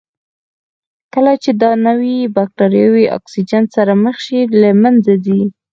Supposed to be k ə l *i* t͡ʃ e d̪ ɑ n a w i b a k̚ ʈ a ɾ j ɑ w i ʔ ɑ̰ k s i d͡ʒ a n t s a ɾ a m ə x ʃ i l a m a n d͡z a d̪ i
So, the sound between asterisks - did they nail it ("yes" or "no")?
no